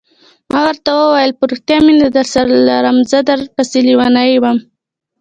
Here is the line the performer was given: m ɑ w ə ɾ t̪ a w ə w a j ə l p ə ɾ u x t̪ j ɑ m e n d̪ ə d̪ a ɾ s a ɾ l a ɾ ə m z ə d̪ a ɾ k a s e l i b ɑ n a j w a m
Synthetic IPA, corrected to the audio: m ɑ w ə ɾ t̪ a w ə w a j ə l p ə ɾ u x t̪ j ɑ m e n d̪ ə d̪ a ɾ s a ɾ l a ɾ ə m z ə d̪ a ɾ p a s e l i w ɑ n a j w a m